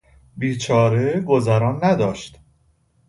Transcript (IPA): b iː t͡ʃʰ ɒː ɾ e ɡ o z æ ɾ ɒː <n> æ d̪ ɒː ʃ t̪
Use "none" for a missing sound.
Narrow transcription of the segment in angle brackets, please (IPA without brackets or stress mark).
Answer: nː